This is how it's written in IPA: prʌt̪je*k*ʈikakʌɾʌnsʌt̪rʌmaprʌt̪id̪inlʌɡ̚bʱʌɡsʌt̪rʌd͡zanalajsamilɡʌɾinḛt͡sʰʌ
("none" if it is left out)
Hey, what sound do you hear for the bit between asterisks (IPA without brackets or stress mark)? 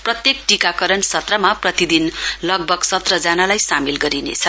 k